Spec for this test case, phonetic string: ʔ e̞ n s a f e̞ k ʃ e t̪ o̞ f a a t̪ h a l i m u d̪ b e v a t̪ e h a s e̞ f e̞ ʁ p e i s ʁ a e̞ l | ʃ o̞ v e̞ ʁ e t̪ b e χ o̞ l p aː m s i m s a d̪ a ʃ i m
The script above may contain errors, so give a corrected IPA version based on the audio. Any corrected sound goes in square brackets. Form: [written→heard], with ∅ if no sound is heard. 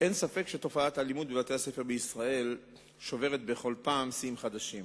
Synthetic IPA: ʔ e̞ n s a f e̞ k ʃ e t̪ o̞ f a a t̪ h a l i m u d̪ b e v a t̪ e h a s e̞ f e̞ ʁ [p→b] e i s ʁ a e̞ l | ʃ o̞ v e̞ ʁ e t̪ b e χ o̞ l p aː m s i m [s→χ] a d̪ a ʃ i m

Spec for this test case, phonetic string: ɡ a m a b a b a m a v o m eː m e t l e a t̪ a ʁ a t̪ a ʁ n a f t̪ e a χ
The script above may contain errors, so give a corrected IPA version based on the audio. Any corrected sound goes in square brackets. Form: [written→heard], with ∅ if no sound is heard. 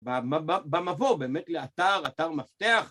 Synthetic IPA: [ɡ→b] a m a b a b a m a v o [m→b] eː m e t l e a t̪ a ʁ a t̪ a ʁ [n→m] a f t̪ e a χ

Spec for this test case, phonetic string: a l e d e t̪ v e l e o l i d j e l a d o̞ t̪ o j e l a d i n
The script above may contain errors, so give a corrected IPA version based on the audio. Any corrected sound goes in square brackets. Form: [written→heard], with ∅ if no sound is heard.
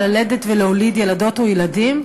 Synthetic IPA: a l e d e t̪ v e l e o l i d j e l a d o̞ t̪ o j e l a d i [n→m]

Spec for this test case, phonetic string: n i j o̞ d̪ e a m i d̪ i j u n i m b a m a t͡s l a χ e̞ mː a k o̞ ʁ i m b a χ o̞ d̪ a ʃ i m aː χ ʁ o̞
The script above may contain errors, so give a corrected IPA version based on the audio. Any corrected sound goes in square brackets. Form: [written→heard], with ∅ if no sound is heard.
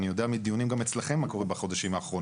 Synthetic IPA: n i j o̞ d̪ e a m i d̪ i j u n i m [b→ɡ] a m [a→e] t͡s l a χ e̞ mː a k o̞ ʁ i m b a χ o̞ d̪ a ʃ i m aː χ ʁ o̞

